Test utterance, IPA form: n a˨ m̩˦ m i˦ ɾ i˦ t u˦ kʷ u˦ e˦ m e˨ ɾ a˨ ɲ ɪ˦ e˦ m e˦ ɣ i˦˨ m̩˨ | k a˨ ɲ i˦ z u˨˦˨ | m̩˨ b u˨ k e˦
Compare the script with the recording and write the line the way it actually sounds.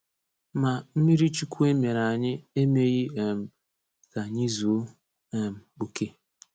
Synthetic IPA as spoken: m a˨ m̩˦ m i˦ ɾ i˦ t͡ʃ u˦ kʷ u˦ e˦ m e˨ ɾ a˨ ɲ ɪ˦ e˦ m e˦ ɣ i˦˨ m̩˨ | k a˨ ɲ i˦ z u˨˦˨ | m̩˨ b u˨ k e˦

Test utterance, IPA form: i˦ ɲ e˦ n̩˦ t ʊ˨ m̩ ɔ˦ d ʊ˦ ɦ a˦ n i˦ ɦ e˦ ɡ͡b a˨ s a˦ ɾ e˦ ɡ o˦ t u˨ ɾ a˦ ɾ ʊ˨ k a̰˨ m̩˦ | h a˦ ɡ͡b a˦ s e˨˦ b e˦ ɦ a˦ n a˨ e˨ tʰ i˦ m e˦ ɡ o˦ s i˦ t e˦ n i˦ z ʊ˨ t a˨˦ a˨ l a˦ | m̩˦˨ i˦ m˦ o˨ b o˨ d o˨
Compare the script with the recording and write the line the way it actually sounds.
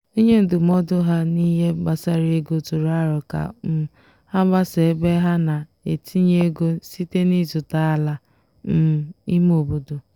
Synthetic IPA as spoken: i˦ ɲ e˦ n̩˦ d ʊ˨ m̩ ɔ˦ d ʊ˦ ɦ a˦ n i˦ ɦ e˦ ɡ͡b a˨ s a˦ ɾ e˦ ɡ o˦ t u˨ ɾ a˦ ɾ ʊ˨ k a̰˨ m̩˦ | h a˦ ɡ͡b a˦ s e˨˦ b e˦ ɦ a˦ n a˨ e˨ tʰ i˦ ɲ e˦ ɡ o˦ s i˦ t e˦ n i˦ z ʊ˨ t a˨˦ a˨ l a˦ | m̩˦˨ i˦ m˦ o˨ b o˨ d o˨

